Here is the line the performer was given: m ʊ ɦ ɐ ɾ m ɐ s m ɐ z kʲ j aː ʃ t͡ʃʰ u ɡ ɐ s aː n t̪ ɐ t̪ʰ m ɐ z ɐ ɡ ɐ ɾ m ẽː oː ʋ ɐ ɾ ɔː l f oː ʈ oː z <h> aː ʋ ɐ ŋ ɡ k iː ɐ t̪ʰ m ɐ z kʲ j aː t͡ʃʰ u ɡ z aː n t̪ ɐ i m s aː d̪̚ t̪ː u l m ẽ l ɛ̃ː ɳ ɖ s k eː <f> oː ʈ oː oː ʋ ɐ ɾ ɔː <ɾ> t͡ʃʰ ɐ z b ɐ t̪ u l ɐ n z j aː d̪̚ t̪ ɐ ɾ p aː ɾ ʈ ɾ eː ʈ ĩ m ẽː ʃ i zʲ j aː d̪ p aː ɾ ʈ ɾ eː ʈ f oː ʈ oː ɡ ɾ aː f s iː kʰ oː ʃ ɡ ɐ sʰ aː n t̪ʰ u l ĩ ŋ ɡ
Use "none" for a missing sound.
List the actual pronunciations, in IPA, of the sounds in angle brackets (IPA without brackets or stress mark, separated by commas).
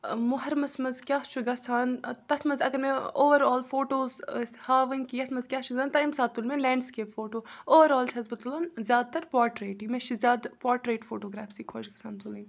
h, f, l